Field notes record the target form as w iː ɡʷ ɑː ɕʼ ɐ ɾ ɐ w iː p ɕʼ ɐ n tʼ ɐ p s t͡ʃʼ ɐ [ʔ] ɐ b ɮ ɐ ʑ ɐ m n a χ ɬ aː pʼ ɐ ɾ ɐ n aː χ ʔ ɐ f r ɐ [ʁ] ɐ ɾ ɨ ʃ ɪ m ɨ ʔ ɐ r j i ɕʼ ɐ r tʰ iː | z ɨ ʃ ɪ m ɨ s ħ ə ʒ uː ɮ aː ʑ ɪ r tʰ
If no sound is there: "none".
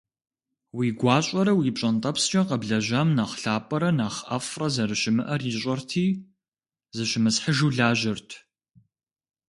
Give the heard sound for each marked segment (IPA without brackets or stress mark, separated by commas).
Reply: q, z